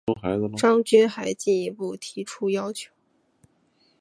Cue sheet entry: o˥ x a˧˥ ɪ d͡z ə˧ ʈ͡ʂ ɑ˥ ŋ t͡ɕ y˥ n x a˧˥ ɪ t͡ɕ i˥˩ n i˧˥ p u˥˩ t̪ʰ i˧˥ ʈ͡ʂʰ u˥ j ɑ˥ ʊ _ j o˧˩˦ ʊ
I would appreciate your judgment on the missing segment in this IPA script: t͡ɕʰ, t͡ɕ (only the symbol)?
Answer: t͡ɕʰ